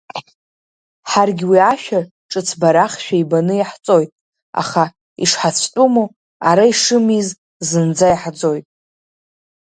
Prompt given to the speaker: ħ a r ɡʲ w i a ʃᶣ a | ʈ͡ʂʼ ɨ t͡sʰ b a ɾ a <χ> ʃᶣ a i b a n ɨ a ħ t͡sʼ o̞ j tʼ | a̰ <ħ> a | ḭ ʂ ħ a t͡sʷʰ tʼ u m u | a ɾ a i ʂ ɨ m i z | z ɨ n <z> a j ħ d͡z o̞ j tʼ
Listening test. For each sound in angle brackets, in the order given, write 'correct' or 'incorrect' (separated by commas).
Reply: correct, incorrect, incorrect